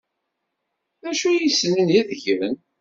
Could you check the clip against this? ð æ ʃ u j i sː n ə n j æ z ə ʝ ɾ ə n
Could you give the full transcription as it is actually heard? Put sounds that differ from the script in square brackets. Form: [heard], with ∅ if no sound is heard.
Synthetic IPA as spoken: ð æ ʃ u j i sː n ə n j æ [ð] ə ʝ ɾ ə n

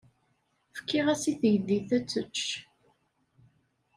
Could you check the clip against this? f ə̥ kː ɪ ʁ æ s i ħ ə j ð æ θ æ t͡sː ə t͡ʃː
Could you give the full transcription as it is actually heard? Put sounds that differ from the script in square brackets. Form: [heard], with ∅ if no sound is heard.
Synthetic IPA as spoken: f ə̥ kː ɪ ʁ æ s i [θ] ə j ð [i] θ æ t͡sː ə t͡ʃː

